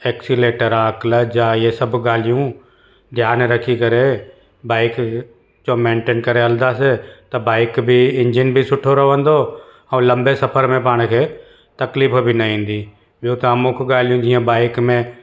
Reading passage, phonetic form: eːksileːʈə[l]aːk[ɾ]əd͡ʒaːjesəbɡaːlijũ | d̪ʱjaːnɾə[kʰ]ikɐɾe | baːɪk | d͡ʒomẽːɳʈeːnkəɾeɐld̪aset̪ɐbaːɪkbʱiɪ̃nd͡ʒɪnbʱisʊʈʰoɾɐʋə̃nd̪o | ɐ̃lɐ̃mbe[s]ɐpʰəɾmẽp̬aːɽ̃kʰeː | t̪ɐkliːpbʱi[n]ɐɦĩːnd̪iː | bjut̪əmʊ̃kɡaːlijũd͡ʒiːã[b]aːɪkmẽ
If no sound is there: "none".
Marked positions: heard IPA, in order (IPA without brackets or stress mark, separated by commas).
ɾ, l, kʰ, s, n, b